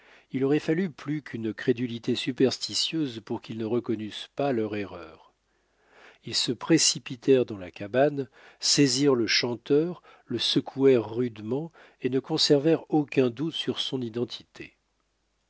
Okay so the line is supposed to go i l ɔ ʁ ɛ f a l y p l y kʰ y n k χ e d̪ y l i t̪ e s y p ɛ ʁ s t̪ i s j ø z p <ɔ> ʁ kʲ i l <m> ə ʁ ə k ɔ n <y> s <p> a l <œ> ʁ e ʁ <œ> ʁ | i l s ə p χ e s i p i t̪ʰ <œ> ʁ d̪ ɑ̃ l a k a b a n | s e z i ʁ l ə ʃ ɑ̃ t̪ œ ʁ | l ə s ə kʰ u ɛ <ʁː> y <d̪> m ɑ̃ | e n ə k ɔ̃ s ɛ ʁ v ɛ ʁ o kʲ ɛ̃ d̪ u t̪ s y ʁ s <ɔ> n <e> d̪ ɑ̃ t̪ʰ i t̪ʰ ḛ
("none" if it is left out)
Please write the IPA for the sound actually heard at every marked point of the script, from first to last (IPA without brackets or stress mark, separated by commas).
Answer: u, n, y, p, œ, œː, ɛ, ʁː, d̪, ɔ̃, i